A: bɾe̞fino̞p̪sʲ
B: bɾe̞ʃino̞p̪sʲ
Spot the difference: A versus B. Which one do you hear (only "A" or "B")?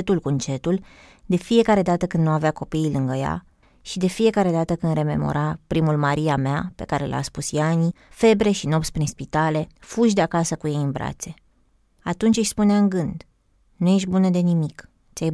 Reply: B